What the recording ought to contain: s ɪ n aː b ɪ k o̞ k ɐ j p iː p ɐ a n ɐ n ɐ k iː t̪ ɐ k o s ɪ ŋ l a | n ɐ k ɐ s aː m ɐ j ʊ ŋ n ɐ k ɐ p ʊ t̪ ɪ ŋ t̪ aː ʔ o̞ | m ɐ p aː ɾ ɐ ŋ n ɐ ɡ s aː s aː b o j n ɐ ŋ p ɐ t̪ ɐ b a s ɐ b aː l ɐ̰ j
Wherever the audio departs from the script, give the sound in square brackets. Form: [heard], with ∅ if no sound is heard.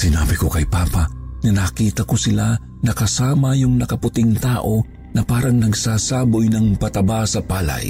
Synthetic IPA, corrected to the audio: s ɪ n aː b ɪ k o̞ k ɐ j p [aː] p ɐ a n ɐ n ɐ k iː t̪ ɐ k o s ɪ [∅] l a | n ɐ k ɐ s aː m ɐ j ʊ ŋ n ɐ k ɐ p ʊ t̪ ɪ ŋ t̪ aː ʔ o̞ | [n] ɐ p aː ɾ ɐ ŋ n ɐ ɡ s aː s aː b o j n ɐ ŋ p ɐ t̪ ɐ b a s ɐ [p] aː l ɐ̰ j